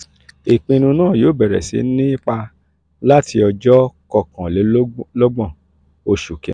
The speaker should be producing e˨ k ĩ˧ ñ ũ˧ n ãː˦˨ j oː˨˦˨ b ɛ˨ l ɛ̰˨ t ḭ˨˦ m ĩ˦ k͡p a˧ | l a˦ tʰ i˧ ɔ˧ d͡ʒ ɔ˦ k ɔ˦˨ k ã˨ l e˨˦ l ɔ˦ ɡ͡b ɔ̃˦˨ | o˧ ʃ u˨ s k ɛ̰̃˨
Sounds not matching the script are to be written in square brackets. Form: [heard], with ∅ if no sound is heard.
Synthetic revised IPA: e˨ [k͡p] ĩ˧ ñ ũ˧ n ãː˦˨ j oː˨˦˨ b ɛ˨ [ɾ] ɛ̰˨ [s] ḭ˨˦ [n] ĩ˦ k͡p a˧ | l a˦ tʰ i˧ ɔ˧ d͡ʒ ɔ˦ k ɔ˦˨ k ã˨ l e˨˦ l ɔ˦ ɡ͡b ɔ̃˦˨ | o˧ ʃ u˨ [∅] k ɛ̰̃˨

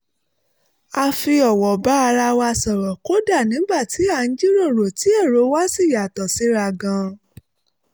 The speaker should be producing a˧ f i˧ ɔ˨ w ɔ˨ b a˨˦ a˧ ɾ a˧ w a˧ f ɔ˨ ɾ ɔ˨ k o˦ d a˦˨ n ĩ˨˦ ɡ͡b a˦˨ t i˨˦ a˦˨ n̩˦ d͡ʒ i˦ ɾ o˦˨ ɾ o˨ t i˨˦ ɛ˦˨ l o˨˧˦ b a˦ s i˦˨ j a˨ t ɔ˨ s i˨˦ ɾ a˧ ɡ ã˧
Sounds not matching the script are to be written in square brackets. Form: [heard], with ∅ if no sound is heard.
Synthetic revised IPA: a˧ f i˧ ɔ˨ w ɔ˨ b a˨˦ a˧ ɾ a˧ w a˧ [s] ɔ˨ ɾ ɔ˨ k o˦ d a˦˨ n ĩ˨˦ ɡ͡b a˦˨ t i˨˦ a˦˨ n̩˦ d͡ʒ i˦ ɾ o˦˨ ɾ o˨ t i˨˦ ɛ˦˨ [ɾ] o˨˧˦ [w] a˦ s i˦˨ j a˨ t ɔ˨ s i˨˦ ɾ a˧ ɡ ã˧

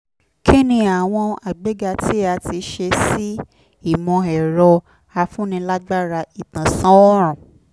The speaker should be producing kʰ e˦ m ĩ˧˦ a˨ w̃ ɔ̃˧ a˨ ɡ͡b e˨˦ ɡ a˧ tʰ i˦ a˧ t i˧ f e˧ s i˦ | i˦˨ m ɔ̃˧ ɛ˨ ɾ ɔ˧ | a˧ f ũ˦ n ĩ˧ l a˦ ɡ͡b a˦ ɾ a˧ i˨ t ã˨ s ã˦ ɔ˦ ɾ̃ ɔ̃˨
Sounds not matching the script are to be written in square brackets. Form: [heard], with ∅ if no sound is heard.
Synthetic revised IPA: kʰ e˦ [n] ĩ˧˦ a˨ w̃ ɔ̃˧ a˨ ɡ͡b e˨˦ ɡ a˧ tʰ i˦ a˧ t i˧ [ʃ] e˧ s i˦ | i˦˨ m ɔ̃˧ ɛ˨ ɾ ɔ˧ | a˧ f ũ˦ n ĩ˧ l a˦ ɡ͡b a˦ ɾ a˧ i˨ t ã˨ s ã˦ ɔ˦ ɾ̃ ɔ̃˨

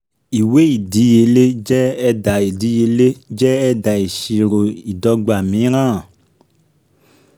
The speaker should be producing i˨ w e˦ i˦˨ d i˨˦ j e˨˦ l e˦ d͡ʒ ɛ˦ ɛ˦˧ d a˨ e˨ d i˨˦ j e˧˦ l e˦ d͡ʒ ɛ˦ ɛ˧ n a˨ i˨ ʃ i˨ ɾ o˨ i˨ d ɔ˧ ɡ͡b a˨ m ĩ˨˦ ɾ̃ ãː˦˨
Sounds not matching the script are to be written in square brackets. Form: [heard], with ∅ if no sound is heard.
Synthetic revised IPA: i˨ w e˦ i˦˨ d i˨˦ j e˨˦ l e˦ d͡ʒ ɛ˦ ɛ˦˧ d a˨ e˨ d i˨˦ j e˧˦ l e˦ d͡ʒ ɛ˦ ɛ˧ [d] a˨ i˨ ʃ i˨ ɾ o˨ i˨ d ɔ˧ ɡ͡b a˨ m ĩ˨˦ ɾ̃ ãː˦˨

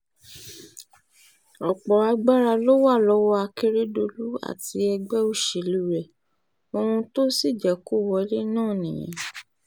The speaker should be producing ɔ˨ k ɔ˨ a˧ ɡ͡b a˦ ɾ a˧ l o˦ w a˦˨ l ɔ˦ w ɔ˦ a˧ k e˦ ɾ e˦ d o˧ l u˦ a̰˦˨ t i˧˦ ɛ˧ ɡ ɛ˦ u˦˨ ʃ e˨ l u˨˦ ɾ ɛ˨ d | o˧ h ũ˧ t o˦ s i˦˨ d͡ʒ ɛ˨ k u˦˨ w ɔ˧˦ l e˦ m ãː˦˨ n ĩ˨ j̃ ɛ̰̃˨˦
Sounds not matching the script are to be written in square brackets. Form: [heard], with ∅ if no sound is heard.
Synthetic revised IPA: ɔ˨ [k͡p] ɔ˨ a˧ ɡ͡b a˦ ɾ a˧ l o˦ w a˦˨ l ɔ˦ w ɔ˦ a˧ k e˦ ɾ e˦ d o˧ l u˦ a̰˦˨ t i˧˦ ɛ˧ [ɡ͡b] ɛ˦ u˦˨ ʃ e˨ l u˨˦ ɾ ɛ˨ [∅] | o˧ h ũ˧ t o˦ s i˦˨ d͡ʒ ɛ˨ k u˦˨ w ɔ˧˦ l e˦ [n] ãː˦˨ n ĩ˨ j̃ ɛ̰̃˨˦

